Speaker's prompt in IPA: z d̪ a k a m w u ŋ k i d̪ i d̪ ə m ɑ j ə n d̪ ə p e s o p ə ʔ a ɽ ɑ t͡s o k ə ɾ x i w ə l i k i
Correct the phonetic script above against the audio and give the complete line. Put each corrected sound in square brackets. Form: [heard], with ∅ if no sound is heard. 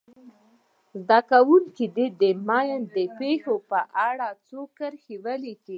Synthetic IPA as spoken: z d̪ a k a [∅] w u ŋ k i d̪ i d̪ ə m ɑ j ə n d̪ ə p e [x] o p ə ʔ a ɽ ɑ t͡s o k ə ɾ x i w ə l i k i